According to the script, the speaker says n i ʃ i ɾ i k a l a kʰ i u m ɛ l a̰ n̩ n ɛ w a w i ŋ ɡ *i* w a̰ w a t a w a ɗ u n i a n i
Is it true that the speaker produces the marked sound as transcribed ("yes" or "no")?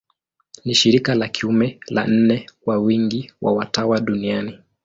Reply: yes